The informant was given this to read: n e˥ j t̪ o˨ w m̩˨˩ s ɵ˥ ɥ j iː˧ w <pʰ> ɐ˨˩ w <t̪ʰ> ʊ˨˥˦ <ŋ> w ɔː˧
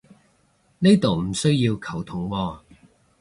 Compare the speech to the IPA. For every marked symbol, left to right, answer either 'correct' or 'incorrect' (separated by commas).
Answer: incorrect, correct, correct